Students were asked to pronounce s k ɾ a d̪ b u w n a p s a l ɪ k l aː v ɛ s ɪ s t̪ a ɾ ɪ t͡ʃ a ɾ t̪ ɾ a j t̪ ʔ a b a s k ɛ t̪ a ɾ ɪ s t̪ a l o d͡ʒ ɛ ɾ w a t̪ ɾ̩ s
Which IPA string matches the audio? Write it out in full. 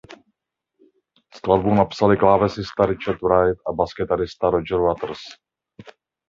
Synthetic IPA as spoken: s k l a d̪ b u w n a p s a l ɪ k l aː v ɛ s ɪ s t̪ a ɾ ɪ t͡ʃ a ɾ t̪ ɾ a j t̪ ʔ a b a s k ɛ t̪ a ɾ ɪ s t̪ a ɾ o d͡ʒ ɛ ɾ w a t̪ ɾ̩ s